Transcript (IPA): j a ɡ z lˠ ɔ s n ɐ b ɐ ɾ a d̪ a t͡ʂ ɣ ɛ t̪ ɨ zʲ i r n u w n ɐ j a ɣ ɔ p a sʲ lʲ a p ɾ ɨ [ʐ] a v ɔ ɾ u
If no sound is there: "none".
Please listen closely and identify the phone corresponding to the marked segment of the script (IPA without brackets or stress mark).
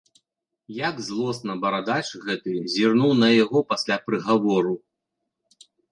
ɣ